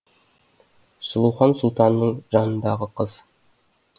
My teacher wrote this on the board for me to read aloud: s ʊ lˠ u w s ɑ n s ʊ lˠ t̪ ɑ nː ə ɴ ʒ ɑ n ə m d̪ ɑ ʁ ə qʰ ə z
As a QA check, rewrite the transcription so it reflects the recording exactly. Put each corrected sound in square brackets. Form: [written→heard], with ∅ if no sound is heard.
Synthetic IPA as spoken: s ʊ lˠ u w [s→χ] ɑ n s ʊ lˠ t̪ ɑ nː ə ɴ ʒ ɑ n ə [m→n] d̪ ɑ ʁ ə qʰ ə z